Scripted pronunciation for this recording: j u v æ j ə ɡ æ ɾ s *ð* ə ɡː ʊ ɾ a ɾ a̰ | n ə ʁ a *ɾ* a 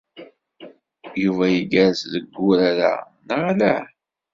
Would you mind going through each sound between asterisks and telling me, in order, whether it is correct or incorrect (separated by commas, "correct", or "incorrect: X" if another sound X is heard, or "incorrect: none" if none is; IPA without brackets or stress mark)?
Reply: correct, incorrect: l